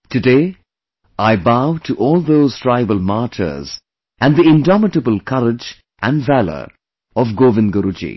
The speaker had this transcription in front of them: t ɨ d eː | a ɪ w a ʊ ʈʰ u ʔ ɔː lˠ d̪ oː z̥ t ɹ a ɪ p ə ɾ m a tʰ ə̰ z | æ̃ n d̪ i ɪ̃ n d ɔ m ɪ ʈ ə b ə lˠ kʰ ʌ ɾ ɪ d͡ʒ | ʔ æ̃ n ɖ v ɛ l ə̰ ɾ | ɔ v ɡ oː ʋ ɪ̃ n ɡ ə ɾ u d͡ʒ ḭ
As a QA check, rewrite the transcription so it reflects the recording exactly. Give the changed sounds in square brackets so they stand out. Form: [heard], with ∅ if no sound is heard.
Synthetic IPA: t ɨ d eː | a ɪ [b] a ʊ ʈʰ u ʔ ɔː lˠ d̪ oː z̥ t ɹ a ɪ [b] ə [l] m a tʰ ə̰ z | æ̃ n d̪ i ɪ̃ n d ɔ m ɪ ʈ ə b ə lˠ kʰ ʌ ɾ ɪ d͡ʒ | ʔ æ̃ n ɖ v [æ] l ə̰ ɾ | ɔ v ɡ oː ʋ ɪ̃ n ɡ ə ɾ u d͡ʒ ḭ